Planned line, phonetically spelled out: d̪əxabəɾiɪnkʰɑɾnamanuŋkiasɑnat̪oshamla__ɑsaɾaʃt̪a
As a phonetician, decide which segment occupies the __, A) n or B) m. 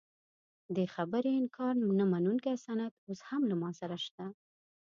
B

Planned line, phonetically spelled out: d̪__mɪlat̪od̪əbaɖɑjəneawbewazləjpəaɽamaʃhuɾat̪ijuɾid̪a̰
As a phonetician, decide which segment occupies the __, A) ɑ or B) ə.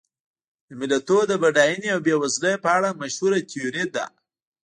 B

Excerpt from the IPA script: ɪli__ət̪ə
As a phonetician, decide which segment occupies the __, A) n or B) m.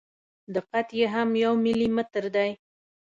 B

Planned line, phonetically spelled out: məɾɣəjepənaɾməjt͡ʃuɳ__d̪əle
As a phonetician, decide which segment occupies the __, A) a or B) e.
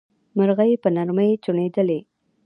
B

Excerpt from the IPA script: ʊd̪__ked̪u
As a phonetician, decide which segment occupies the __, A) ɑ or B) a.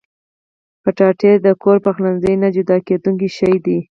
A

